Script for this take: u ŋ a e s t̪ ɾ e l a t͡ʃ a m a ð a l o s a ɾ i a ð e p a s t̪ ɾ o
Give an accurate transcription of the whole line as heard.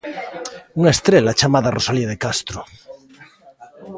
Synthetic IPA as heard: u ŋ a e s t̪ ɾ e l a t͡ʃ a m a ð a r o s a l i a ð e k a s t̪ ɾ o